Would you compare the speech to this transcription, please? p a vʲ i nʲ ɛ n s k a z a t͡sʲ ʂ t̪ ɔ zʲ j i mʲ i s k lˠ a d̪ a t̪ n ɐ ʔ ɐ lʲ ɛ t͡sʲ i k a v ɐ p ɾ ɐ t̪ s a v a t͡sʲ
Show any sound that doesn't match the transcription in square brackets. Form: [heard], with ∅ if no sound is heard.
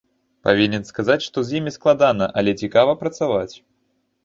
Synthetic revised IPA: p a vʲ i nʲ ɛ n s k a z a t͡sʲ ʂ t̪ ɔ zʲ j i mʲ i s k lˠ a d̪ a [∅] n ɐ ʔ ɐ lʲ ɛ t͡sʲ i k a v ɐ p ɾ ɐ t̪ s a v a t͡sʲ

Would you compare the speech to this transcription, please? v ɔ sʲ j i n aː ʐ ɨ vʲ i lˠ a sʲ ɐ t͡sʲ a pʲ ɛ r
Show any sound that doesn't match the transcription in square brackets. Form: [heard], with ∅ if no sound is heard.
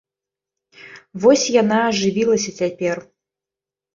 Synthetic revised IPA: v ɔ sʲ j [a] n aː ʐ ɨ vʲ i lˠ [ɐ] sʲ ɐ t͡sʲ a pʲ ɛ r

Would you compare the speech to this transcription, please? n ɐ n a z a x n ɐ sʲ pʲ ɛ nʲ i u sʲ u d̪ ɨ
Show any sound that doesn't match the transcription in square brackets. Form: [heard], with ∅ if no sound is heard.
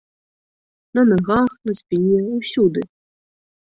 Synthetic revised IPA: n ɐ n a [ɣ] a x n ɐ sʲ pʲ [i] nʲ [ɛ] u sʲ u d̪ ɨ

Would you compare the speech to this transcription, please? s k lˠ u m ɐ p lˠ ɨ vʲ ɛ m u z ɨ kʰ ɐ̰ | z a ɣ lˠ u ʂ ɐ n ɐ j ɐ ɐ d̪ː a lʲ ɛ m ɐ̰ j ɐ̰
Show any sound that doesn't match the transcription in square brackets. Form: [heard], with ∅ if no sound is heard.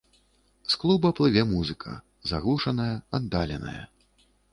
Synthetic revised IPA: s k lˠ u [b] ɐ p lˠ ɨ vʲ ɛ m u z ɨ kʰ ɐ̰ | z a ɣ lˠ u ʂ ɐ n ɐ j ɐ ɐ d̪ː a lʲ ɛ [n] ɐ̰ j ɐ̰

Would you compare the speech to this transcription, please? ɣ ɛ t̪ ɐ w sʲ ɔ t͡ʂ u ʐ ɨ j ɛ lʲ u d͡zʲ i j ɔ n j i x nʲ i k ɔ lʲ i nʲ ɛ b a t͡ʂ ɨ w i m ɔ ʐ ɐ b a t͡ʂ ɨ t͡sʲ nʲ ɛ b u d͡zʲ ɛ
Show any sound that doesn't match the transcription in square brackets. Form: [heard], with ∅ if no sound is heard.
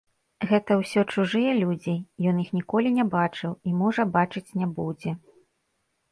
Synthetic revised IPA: ɣ ɛ t̪ ɐ w sʲ ɔ t͡ʂ u ʐ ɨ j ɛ lʲ u d͡zʲ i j ɔ n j i x nʲ i k ɔ lʲ i nʲ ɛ b a t͡ʂ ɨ w i m ɔ ʐ ɐ b a t͡ʂ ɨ t͡sʲ nʲ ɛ b u d͡zʲ ɛ

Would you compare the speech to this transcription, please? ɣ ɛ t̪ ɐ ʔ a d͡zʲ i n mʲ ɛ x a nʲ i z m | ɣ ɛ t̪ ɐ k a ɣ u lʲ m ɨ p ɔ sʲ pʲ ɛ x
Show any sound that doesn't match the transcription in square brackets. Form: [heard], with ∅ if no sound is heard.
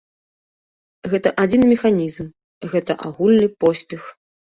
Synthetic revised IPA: ɣ ɛ t̪ ɐ ʔ a d͡zʲ i n mʲ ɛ x a nʲ i z m | ɣ ɛ t̪ ɐ [ʔ] a ɣ u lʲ [n] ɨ p ɔ sʲ pʲ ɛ x

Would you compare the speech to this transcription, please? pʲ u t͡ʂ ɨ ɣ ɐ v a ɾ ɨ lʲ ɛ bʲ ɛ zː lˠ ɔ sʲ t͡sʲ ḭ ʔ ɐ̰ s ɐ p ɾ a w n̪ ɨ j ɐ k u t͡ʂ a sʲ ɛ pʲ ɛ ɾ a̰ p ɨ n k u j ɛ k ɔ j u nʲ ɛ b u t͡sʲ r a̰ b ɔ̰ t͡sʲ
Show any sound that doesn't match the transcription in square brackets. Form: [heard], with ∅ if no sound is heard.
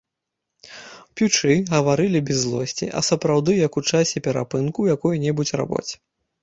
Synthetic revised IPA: pʲ u t͡ʂ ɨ ɣ ɐ v a ɾ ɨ lʲ [i] bʲ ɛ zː lˠ ɔ sʲ t͡sʲ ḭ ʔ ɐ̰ s ɐ p ɾ a w [d̪] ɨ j ɐ k u t͡ʂ a sʲ ɛ pʲ ɛ ɾ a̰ p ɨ n k u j [a] k ɔ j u nʲ ɛ b u t͡sʲ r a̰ b ɔ̰ t͡sʲ

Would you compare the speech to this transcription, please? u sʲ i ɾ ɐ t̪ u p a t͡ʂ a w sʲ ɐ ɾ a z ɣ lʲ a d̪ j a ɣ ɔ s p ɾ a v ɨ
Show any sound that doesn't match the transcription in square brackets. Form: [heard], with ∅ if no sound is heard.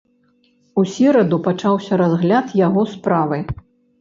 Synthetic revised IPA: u sʲ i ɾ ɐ [d̪] u p a t͡ʂ a w sʲ ɐ ɾ a z ɣ lʲ a [t̪] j a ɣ ɔ s p ɾ a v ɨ

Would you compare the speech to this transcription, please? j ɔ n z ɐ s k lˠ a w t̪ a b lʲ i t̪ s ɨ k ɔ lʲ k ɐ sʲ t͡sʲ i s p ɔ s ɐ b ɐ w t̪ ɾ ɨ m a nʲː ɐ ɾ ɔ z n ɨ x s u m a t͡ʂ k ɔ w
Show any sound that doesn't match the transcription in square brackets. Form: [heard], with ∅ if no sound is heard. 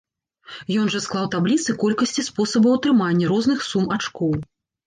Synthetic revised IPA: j ɔ n [ʐ] ɐ s k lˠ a w t̪ a b lʲ i t̪ s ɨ k ɔ lʲ k ɐ sʲ t͡sʲ i s p ɔ s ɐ b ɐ w t̪ ɾ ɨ m a nʲː ɐ ɾ ɔ z n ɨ x s u m a t͡ʂ k ɔ w

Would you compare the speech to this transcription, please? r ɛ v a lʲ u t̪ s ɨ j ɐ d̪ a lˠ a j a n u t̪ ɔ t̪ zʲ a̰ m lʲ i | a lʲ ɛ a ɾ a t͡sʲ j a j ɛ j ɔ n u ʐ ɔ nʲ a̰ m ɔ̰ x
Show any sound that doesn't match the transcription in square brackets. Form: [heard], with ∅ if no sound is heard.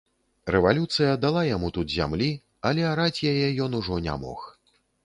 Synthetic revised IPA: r ɛ v a lʲ u t̪ s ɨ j ɐ d̪ a lˠ a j a [m] u t̪ [u] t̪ zʲ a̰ m lʲ i | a lʲ ɛ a ɾ a t͡sʲ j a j ɛ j ɔ n u ʐ ɔ nʲ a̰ m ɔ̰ x

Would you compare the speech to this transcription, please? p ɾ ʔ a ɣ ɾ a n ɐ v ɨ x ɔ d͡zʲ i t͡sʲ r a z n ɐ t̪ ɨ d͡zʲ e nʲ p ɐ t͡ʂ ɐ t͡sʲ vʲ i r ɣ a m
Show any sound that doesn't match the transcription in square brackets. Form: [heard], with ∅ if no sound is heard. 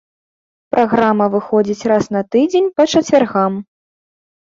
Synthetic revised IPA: p ɾ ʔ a ɣ ɾ a [m] ɐ v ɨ x ɔ d͡zʲ i t͡sʲ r a [s] n ɐ t̪ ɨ d͡zʲ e nʲ p ɐ t͡ʂ ɐ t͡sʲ vʲ [a] r ɣ a m

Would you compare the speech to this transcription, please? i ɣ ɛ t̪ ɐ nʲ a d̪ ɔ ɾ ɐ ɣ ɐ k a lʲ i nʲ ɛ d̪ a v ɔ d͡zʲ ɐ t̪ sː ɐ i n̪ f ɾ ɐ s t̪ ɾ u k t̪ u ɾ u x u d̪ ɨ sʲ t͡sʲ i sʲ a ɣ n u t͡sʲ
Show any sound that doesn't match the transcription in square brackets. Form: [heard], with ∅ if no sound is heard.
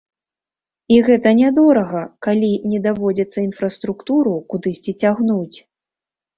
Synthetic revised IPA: i ɣ ɛ t̪ ɐ nʲ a d̪ ɔ ɾ ɐ ɣ ɐ k a lʲ i nʲ ɛ d̪ a v ɔ d͡zʲ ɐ t̪ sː ɐ i n̪ f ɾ ɐ s t̪ ɾ u k t̪ u ɾ u [k] u d̪ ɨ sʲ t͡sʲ i [t͡sʲ] a ɣ n u t͡sʲ

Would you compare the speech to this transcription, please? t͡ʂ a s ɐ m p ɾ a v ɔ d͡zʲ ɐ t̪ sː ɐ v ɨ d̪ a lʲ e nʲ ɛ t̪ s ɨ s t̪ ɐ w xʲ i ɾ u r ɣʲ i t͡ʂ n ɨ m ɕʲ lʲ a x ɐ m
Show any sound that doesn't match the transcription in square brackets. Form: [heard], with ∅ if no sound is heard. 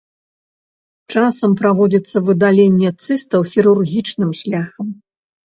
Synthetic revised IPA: t͡ʂ a s ɐ m p ɾ a v ɔ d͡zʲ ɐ t̪ sː ɐ v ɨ d̪ a lʲ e [nʲː] ɛ t̪ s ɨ s t̪ ɐ w xʲ i ɾ u r ɣʲ i t͡ʂ n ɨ m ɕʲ lʲ a x ɐ m

